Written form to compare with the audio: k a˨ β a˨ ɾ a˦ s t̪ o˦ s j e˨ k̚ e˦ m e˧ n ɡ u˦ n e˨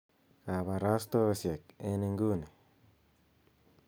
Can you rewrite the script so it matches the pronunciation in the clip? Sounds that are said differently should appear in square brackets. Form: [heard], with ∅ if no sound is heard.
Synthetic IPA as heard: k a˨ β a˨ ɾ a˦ s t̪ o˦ s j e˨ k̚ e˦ [n] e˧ [ŋ] ɡ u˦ n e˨